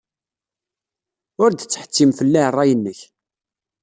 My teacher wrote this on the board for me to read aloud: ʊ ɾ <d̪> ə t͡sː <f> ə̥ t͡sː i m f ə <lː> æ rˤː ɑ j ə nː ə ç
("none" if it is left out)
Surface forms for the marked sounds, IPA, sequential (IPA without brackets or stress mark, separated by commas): d̪, ħ, lː